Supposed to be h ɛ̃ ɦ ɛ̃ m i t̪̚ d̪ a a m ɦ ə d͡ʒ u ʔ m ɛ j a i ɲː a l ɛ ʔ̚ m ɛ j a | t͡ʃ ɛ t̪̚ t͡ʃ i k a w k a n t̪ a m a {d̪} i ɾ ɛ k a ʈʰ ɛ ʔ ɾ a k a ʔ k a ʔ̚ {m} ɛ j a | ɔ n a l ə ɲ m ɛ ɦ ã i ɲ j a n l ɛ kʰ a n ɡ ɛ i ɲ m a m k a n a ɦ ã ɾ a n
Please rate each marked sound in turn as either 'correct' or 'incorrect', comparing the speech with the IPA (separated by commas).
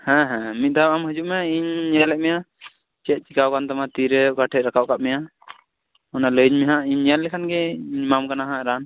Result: incorrect, correct